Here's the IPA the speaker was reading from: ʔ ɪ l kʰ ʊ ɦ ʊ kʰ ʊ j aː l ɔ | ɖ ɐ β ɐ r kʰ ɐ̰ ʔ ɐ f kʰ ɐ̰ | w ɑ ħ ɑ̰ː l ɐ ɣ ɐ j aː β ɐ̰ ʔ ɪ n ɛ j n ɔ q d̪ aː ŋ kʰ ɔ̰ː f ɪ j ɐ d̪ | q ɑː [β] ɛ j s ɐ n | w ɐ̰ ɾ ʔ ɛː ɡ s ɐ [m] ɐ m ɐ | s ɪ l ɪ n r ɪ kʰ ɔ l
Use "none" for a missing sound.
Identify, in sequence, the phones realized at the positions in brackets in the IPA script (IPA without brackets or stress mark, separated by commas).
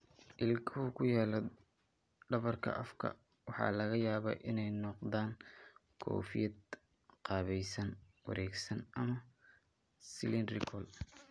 β, n